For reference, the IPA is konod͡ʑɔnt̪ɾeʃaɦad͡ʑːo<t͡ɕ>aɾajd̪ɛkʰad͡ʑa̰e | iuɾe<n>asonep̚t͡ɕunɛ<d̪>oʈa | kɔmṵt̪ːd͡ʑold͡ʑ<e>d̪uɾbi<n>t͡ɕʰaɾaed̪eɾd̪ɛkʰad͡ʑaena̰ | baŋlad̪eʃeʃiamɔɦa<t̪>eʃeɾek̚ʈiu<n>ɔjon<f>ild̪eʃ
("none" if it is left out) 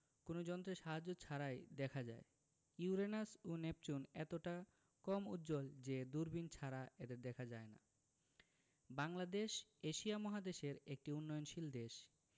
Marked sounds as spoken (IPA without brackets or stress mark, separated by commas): t͡ɕʰ, n, t̪, e, n, d̪, nː, ʃ